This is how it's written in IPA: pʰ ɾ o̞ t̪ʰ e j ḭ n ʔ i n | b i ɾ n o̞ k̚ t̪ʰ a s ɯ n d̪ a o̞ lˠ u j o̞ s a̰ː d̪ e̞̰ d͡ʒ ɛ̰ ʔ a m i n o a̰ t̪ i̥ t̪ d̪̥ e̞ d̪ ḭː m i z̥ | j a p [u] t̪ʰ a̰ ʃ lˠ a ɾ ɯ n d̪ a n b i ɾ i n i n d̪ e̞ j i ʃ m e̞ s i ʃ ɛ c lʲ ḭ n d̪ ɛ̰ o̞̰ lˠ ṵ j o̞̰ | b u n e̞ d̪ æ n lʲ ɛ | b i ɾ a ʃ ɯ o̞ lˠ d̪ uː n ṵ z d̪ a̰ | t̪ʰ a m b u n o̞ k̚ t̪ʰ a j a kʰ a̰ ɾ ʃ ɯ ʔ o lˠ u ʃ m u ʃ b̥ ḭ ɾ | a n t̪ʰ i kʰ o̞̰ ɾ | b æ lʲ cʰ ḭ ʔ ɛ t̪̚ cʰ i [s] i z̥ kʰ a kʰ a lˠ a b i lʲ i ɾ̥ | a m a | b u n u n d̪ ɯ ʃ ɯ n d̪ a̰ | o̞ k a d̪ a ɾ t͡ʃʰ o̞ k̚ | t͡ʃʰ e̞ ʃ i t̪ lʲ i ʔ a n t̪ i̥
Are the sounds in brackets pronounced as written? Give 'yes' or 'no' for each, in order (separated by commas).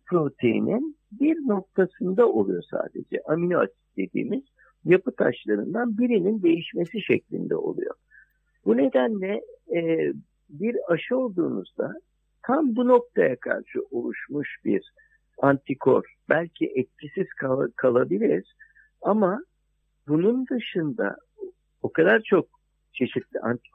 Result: no, yes